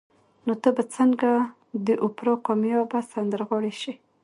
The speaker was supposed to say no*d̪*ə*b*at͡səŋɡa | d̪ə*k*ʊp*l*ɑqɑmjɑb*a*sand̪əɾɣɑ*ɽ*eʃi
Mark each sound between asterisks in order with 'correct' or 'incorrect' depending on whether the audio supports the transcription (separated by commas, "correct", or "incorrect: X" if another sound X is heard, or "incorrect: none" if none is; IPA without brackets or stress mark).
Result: incorrect: t̪, correct, incorrect: ʔ, incorrect: ɾ, correct, correct